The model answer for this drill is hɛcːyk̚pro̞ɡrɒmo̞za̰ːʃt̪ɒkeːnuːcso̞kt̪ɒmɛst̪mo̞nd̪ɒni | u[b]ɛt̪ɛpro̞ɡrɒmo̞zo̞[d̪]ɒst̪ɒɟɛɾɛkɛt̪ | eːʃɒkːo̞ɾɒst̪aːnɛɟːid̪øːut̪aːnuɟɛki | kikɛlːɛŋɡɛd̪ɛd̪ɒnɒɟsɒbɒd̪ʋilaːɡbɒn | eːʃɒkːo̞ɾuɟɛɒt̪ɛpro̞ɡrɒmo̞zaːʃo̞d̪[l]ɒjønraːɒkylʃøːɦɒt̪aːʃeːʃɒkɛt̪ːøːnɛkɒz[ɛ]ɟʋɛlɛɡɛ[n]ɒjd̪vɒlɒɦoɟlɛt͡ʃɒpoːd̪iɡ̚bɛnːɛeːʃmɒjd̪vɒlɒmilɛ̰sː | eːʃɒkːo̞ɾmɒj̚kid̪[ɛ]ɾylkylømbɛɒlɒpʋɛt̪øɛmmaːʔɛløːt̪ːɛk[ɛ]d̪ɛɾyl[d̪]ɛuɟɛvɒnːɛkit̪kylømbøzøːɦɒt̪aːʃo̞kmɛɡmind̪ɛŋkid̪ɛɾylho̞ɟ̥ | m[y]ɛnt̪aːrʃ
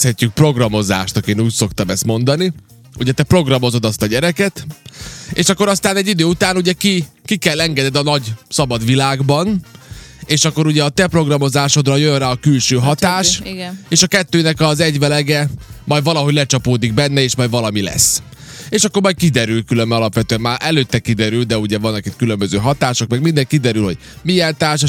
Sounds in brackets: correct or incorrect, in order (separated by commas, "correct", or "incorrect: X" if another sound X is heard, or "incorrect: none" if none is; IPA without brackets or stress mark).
incorrect: ɟ, correct, incorrect: r, correct, incorrect: m, correct, incorrect: i, correct, incorrect: i